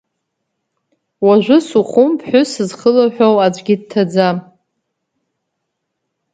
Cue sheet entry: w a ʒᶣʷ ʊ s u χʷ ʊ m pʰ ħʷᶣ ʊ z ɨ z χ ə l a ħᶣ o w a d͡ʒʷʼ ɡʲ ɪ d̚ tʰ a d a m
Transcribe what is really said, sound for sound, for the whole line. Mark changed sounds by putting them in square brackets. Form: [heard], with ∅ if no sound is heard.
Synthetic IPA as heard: w a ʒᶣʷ ʊ s u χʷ ʊ m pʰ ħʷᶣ ʊ [s] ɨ z χ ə l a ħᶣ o w a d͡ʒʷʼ ɡʲ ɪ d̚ tʰ a [d͡z] a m

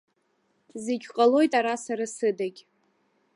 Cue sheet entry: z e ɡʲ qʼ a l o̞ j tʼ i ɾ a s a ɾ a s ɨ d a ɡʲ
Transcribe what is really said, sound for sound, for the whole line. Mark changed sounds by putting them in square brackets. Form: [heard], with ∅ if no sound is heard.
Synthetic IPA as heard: z e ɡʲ qʼ a l o̞ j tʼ [a] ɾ a s a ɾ a s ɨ d a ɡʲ

